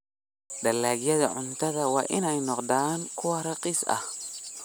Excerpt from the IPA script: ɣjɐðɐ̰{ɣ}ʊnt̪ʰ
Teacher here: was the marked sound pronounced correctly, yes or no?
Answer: no